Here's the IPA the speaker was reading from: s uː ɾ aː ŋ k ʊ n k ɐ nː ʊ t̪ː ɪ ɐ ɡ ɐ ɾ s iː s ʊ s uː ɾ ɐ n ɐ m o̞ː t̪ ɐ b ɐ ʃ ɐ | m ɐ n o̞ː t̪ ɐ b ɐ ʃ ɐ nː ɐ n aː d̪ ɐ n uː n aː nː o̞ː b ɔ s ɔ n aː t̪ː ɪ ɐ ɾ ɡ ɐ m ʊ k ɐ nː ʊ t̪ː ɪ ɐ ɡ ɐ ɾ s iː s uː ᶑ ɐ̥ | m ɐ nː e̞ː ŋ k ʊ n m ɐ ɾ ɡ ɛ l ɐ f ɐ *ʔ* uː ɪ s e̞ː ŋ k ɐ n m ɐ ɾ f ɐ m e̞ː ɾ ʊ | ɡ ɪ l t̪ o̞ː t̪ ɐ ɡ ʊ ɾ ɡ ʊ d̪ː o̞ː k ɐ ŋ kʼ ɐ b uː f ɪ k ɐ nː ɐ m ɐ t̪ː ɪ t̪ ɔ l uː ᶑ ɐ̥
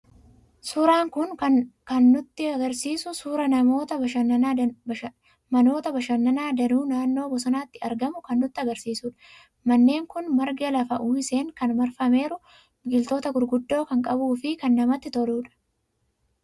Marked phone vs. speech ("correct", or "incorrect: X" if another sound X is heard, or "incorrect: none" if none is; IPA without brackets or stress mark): correct